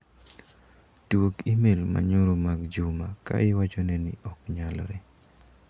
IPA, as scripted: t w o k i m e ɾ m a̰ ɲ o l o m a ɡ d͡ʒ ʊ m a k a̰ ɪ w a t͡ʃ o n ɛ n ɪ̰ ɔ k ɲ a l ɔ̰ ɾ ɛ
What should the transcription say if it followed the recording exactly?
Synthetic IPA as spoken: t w o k i m e l m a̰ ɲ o ɾ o m a ɡ d͡ʒ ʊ m a k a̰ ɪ w a t͡ʃ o n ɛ n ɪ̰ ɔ k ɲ a l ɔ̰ ɾ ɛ